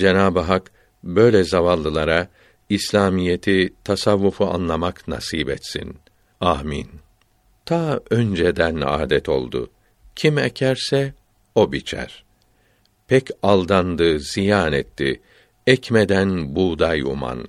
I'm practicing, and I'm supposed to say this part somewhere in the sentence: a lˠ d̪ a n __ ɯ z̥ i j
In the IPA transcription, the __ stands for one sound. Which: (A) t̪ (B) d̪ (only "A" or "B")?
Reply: B